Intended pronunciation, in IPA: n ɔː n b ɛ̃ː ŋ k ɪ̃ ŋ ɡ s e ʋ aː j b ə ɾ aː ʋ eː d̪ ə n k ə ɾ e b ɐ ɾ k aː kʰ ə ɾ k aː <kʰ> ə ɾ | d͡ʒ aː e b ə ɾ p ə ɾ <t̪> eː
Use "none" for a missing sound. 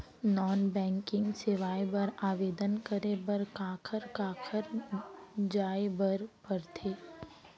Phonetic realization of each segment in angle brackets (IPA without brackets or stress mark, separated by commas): kʰ, t̪ʰ